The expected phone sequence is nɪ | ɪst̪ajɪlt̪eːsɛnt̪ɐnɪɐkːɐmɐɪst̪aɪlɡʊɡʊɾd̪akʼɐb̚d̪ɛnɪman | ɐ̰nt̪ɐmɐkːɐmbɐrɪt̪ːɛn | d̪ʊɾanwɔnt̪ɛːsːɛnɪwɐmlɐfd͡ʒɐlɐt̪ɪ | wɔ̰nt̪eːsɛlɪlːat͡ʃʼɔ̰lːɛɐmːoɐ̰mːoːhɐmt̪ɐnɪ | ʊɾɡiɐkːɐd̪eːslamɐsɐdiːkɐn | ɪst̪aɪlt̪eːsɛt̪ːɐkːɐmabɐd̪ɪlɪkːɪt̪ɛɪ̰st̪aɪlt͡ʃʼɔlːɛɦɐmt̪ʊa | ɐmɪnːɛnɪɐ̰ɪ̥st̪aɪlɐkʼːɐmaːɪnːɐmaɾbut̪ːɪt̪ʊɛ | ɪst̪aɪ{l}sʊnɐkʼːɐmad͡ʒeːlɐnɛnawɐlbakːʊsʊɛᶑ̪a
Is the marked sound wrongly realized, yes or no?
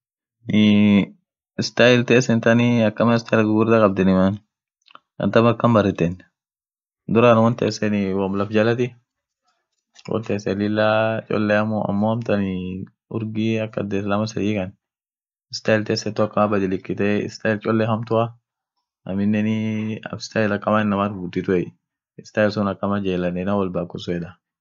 no